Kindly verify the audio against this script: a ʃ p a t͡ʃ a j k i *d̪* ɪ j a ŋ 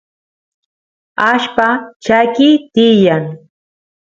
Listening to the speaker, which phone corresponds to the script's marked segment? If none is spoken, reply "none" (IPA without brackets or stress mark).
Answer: t̪